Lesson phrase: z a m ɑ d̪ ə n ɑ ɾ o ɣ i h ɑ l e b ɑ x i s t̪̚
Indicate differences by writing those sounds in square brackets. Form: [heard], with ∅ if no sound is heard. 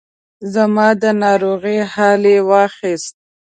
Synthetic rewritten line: z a m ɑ d̪ ə n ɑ ɾ o ɣ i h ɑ l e [w] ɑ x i s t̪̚